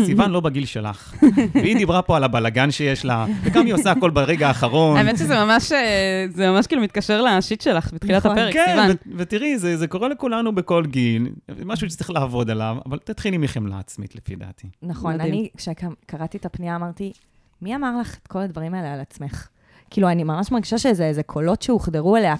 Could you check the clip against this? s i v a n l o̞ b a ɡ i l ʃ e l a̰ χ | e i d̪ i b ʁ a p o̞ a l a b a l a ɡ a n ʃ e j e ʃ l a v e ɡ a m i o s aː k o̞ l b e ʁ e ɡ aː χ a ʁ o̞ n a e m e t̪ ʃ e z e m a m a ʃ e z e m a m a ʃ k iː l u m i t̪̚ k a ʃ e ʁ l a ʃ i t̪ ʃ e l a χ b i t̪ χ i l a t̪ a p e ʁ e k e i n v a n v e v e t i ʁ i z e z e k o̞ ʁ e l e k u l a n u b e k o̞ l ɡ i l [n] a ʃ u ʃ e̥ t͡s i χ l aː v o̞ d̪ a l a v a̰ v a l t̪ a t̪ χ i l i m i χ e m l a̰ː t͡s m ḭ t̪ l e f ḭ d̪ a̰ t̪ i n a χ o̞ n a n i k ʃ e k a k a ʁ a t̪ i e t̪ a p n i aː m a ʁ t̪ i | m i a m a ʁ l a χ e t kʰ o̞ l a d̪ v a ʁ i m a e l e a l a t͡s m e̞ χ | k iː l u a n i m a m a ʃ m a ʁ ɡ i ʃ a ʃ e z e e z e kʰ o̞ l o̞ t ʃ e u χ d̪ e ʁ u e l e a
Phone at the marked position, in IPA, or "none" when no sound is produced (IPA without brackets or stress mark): m